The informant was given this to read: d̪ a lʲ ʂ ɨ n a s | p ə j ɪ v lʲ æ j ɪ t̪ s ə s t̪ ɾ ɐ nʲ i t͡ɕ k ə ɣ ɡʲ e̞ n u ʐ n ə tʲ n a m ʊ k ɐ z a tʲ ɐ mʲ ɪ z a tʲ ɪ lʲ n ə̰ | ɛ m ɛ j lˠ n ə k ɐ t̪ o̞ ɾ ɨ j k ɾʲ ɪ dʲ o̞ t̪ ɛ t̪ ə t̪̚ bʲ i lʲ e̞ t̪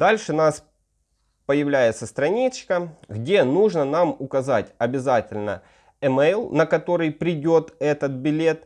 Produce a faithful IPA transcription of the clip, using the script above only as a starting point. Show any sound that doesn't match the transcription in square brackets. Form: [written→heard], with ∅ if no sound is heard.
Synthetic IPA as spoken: d̪ a lʲ ʂ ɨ n a s | p ə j ɪ v lʲ æ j ɪ t̪ s ə s t̪ ɾ ɐ nʲ i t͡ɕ k ə ɣ [ɡʲ→dʲ] e̞ n u ʐ n ə [tʲ→∅] n a m ʊ k ɐ z a tʲ ɐ [mʲ→bʲ] ɪ z a tʲ ɪ lʲ n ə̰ | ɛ m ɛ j lˠ n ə k ɐ t̪ o̞ ɾ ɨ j [k→p] ɾʲ ɪ dʲ o̞ t̪ ɛ t̪ ə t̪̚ bʲ [i→ɪ] lʲ e̞ t̪